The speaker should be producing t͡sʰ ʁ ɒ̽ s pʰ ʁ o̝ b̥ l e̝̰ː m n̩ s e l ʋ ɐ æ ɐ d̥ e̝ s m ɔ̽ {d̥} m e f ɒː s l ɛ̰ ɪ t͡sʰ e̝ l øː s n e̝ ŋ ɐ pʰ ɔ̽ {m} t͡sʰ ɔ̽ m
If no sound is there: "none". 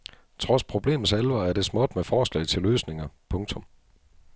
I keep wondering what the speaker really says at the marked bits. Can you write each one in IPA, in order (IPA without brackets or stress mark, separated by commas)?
d̥, ŋ